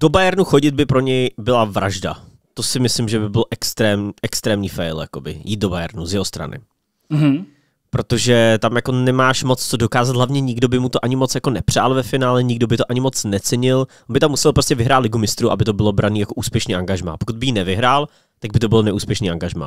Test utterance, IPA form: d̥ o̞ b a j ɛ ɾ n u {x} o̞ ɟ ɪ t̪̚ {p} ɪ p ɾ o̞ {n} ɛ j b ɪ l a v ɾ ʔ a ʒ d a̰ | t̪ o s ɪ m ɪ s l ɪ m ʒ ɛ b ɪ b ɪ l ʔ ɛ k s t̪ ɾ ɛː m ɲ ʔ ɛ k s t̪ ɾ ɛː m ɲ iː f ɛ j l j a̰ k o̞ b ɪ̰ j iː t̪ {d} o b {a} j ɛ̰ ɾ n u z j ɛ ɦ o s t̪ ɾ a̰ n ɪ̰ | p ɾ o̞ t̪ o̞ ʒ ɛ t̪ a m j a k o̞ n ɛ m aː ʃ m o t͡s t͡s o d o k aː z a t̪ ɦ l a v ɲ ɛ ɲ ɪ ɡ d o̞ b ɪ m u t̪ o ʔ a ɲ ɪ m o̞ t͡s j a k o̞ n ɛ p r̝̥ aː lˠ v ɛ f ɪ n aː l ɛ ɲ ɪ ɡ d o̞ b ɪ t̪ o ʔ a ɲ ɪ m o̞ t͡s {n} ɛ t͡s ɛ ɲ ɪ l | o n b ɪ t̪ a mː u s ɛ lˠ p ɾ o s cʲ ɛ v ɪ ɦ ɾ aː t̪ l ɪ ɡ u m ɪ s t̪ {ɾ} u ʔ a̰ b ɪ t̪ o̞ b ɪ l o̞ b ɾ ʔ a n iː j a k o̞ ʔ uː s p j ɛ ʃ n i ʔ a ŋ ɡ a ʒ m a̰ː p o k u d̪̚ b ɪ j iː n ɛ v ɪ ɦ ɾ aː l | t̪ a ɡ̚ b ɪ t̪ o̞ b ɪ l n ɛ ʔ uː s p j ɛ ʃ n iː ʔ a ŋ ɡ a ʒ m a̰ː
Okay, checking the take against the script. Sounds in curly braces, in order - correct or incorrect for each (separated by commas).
correct, incorrect, incorrect, correct, correct, correct, correct